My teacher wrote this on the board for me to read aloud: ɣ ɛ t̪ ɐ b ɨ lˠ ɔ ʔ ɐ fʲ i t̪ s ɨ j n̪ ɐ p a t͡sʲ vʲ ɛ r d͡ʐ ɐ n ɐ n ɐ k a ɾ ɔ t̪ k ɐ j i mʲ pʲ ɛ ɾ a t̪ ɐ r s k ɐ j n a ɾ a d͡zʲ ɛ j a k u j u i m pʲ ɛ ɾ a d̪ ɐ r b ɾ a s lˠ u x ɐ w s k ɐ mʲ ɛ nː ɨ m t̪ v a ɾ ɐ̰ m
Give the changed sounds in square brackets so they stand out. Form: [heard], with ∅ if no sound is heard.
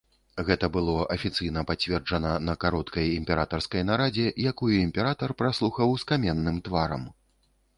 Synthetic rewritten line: ɣ ɛ t̪ ɐ b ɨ lˠ ɔ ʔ ɐ fʲ i t̪ s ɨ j n̪ ɐ p a t͡sʲ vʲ ɛ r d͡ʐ ɐ n ɐ n ɐ k a ɾ ɔ t̪ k ɐ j i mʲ pʲ ɛ ɾ a t̪ ɐ r s k ɐ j n a ɾ a d͡zʲ ɛ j a k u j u i m pʲ ɛ ɾ a [t̪] ɐ r [p] ɾ a s lˠ u x ɐ w s k [a] mʲ ɛ nː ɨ m t̪ v a ɾ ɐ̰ m